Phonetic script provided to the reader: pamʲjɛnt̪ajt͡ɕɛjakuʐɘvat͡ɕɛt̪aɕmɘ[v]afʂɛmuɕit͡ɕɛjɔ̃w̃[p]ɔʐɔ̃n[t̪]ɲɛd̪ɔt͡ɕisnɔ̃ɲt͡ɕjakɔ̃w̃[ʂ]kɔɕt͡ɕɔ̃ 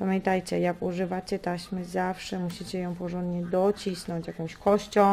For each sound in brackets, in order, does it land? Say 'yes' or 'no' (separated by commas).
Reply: no, yes, no, no